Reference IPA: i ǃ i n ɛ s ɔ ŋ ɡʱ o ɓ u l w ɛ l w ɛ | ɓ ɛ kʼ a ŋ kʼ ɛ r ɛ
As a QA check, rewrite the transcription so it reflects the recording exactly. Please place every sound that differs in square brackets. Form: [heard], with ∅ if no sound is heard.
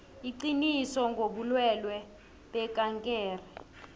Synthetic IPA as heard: i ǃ i n [i] s ɔ ŋ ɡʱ o ɓ u l w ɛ l w ɛ | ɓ ɛ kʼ a ŋ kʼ [ɛː] r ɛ

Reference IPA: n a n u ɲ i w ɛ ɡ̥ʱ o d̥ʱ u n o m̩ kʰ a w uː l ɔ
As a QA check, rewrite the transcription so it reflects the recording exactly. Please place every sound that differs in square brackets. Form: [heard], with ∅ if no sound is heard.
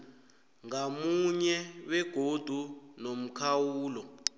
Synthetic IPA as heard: [ŋ] a [m] u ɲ [ɛ] w ɛ ɡ̥ʱ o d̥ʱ u n o m̩ kʰ a w uː l ɔ

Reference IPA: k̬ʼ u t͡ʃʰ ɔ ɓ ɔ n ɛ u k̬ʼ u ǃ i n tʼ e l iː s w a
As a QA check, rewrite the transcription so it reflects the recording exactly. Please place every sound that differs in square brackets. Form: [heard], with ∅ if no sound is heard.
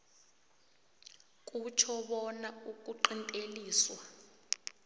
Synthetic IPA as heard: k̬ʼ u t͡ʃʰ ɔ ɓ ɔ n [a] u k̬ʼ u ǃ i n tʼ e l iː s w a

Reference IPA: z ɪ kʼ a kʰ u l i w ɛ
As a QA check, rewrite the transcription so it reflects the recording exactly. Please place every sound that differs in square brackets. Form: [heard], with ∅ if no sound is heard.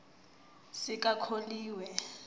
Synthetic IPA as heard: [s] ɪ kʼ a kʰ [o] l [iː] w ɛ

